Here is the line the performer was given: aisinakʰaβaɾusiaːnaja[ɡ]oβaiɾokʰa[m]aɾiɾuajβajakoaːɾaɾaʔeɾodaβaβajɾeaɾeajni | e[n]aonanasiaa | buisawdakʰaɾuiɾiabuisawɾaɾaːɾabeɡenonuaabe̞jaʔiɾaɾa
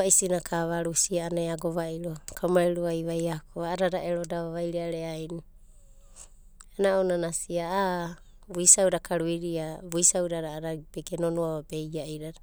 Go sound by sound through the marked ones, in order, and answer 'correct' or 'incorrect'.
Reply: correct, correct, correct

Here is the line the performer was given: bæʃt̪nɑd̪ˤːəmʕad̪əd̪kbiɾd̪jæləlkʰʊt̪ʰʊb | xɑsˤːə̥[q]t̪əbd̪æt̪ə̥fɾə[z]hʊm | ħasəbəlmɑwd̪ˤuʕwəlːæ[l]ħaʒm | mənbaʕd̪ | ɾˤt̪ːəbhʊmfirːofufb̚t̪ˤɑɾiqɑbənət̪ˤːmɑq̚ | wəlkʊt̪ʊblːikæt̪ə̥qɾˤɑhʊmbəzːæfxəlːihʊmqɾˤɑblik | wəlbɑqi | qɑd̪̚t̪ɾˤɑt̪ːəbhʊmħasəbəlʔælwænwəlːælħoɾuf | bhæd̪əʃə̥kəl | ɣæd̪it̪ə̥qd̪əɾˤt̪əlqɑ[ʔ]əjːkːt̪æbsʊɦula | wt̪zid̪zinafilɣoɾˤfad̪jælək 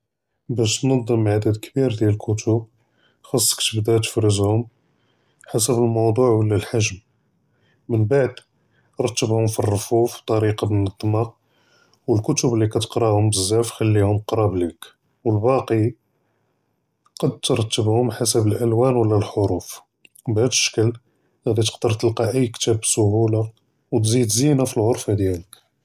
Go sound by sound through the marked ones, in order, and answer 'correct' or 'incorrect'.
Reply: incorrect: k, correct, correct, correct

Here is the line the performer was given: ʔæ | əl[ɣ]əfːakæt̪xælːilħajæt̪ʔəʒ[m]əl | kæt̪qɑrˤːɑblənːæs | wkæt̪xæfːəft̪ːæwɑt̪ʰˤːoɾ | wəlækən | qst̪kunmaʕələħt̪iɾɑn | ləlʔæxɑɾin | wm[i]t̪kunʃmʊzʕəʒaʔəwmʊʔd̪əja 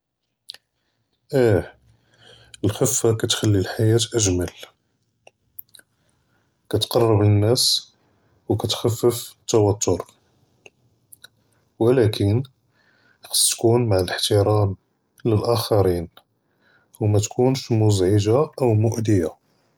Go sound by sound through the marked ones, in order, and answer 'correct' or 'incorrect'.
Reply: incorrect: x, correct, incorrect: æ

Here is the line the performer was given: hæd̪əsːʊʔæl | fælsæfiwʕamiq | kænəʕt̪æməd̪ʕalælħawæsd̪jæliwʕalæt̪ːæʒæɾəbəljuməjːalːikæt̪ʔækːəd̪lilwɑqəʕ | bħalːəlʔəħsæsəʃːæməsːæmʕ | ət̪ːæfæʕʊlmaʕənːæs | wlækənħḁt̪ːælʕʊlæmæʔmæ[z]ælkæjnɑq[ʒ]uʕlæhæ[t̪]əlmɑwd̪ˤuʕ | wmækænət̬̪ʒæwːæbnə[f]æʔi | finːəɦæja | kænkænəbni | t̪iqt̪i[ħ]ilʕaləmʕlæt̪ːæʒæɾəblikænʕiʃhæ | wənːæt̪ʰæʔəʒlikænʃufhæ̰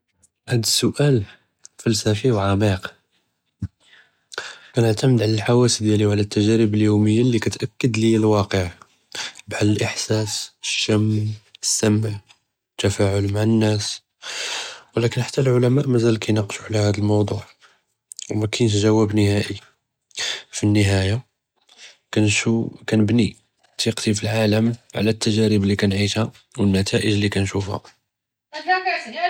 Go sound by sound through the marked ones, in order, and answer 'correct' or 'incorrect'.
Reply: correct, incorrect: ʃ, incorrect: d̪, incorrect: h, incorrect: f

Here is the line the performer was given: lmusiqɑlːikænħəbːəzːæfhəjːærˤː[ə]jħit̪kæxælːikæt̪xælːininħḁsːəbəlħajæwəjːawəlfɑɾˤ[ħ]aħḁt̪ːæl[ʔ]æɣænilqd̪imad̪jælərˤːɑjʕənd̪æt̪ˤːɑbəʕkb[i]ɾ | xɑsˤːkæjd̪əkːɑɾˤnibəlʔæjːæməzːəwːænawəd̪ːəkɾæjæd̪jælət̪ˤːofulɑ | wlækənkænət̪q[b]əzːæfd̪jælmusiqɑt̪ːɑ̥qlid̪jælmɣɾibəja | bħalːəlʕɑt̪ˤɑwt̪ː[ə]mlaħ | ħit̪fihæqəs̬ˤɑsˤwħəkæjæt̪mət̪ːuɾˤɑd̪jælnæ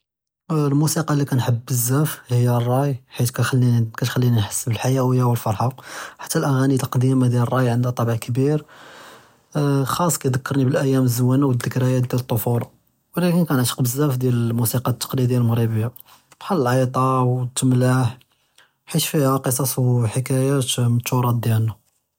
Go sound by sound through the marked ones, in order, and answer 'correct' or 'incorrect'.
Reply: incorrect: ɑ, correct, correct, correct, correct, correct

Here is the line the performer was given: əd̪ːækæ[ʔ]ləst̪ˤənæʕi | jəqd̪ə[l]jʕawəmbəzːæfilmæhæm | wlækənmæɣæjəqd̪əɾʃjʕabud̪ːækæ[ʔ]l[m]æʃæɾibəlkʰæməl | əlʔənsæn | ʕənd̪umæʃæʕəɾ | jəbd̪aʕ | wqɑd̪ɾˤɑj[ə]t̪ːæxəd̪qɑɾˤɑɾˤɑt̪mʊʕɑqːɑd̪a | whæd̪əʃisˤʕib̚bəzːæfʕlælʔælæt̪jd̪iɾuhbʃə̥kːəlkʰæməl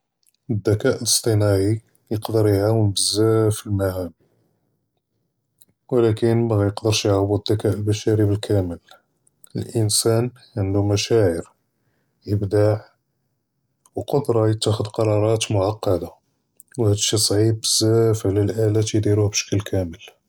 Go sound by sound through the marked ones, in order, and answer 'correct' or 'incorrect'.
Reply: correct, incorrect: ɾ, correct, incorrect: b, correct

